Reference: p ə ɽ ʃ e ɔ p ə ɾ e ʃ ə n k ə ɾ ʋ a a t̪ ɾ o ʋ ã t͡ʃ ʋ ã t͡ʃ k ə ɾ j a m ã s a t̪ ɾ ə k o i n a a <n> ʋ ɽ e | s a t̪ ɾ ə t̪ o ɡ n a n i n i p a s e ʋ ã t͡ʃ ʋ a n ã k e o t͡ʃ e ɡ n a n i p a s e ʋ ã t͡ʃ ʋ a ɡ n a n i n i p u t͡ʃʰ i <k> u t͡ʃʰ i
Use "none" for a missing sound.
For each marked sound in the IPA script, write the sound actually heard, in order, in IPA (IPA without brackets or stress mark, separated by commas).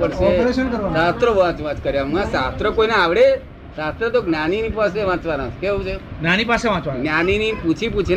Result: none, p